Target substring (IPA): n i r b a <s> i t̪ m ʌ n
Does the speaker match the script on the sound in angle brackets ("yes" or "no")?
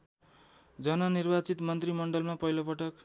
no